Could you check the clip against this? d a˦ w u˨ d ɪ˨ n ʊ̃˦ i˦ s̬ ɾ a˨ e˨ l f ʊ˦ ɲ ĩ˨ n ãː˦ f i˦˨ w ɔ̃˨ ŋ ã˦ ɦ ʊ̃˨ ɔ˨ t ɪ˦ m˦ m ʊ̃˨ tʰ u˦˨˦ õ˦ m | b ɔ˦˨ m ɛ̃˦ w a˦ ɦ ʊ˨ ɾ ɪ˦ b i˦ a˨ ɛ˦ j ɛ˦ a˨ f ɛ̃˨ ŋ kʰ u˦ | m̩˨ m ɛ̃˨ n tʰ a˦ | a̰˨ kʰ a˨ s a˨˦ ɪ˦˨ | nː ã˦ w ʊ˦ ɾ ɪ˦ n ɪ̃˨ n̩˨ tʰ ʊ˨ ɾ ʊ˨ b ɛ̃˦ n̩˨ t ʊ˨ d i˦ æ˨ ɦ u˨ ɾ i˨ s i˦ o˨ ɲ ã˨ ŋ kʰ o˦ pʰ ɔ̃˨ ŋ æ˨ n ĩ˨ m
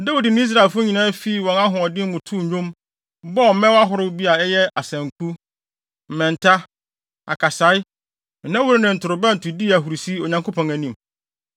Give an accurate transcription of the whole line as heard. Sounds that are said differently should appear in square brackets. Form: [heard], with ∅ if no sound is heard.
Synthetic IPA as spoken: d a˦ w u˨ d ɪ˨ n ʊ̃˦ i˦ s̬ ɾ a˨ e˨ l f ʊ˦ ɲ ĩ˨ n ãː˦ f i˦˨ w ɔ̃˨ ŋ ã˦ ɦ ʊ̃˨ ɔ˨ [d] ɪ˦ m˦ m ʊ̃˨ tʰ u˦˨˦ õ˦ m | b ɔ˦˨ m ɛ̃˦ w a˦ ɦ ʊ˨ ɾ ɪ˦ b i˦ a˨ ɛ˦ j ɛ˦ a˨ [s] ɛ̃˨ ŋ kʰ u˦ | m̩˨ m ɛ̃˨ n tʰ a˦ | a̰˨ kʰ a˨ s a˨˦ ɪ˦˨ | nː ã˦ w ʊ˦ ɾ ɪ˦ n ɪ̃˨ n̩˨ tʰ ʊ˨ ɾ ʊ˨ b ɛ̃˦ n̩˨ t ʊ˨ d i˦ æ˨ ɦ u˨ ɾ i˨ s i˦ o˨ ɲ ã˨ ŋ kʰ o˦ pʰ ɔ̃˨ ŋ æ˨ n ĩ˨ m

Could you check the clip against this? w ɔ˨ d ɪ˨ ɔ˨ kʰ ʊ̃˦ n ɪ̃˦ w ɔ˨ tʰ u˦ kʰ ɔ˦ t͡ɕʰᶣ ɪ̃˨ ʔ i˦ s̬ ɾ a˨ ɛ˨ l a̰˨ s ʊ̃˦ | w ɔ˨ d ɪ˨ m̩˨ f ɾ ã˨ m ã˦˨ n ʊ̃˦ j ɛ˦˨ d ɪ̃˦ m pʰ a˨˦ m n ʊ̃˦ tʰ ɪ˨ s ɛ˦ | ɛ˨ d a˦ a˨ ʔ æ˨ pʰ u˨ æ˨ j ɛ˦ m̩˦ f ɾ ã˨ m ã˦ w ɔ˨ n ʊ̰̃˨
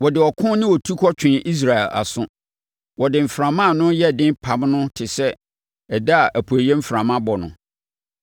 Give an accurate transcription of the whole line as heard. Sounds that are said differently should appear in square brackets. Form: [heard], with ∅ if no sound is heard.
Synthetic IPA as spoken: w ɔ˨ d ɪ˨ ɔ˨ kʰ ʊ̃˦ n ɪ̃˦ w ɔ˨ tʰ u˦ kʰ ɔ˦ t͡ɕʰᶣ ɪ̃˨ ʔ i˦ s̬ ɾ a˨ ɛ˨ l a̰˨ s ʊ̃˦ | w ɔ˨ d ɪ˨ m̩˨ f ɾ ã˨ m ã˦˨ n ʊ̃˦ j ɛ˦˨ d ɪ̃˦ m pʰ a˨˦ m n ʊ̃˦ tʰ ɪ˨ s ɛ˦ | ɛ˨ d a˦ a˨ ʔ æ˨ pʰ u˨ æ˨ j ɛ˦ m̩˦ f ɾ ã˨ m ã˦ [b] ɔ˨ n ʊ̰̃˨

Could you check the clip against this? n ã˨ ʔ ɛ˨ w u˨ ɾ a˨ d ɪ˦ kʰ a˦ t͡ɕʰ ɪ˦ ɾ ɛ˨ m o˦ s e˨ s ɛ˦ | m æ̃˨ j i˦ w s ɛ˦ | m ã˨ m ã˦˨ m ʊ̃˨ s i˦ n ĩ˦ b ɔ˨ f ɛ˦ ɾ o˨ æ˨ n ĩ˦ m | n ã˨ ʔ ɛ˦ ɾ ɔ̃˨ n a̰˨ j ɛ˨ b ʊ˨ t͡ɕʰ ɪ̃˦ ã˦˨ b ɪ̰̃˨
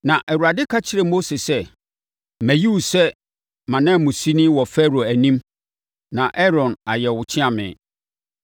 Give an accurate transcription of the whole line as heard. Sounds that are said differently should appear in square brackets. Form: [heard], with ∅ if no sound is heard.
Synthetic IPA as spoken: n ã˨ ʔ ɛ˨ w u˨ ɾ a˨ d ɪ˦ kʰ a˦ t͡ɕʰ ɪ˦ ɾ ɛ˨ m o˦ s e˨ s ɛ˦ | m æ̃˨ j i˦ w s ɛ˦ | m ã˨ [n] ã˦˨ m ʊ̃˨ s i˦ n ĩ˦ [w] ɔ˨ f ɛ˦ ɾ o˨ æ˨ n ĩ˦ m | n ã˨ ʔ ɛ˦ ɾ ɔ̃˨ n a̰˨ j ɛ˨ [w] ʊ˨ t͡ɕʰ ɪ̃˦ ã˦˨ [m] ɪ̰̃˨

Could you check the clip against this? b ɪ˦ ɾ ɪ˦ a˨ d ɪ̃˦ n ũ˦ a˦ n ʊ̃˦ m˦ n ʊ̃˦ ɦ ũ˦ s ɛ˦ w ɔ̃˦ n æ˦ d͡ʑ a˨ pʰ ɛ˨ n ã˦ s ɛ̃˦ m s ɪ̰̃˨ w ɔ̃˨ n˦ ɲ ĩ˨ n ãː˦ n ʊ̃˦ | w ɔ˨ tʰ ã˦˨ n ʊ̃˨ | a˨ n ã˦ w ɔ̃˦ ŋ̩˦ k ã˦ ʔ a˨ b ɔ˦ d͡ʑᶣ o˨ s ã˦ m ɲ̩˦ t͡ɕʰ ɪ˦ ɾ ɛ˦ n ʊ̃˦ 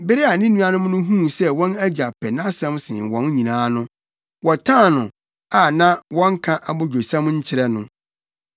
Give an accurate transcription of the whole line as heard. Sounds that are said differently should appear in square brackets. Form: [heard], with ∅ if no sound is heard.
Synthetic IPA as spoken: b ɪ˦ ɾ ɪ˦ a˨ [n] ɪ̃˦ n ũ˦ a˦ n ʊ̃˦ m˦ n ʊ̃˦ ɦ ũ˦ s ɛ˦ w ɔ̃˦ n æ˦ d͡ʑ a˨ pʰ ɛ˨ n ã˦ s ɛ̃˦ m s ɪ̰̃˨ w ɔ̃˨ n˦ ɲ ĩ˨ n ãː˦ n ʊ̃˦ | w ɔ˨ tʰ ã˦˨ n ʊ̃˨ | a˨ n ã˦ w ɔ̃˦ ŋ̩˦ [kʰ] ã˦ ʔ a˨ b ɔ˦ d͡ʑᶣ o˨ s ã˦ m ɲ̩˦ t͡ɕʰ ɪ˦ ɾ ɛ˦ n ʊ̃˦

